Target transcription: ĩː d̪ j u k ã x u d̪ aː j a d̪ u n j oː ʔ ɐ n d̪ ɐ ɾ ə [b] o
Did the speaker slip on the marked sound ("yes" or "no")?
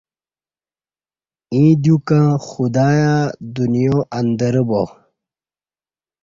no